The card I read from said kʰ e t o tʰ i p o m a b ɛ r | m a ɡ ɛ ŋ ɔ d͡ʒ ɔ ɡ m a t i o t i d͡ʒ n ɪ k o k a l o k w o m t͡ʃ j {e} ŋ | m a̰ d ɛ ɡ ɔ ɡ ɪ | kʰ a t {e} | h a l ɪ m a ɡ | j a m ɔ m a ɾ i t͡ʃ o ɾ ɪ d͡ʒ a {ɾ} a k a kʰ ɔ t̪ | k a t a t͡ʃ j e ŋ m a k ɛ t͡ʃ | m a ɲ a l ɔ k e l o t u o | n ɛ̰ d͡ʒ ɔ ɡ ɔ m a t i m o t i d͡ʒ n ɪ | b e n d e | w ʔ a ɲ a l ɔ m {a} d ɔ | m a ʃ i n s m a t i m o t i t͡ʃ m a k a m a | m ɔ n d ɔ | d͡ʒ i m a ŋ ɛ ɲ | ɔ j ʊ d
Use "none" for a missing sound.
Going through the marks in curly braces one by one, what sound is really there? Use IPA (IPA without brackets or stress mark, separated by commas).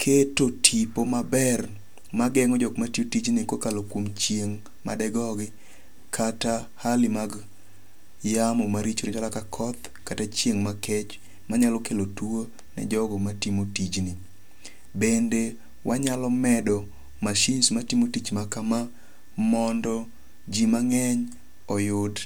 e, a, l, ɛ